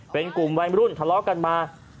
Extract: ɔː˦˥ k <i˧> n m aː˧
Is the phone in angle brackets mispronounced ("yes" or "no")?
yes